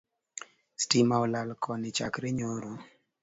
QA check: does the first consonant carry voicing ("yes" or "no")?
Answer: no